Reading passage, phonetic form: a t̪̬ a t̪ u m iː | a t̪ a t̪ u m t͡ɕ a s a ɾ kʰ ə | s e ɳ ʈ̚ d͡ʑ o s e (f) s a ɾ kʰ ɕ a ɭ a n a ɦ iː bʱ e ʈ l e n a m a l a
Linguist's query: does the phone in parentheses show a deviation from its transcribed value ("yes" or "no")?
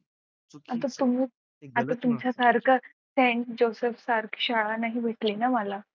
no